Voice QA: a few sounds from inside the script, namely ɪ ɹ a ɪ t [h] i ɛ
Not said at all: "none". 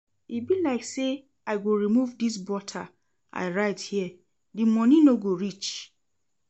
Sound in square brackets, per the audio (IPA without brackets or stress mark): h